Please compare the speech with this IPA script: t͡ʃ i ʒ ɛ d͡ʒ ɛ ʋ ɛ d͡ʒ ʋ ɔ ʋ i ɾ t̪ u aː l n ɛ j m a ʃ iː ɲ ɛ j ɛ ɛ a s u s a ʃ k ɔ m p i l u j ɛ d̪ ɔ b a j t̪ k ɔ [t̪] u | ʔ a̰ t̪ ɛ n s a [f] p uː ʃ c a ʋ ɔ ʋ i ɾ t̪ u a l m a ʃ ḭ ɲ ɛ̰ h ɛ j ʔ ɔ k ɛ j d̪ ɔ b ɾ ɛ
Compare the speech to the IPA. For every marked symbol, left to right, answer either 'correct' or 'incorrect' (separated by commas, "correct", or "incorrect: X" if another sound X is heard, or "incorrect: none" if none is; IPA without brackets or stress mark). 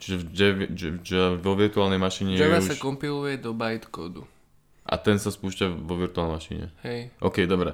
incorrect: d̪, incorrect: s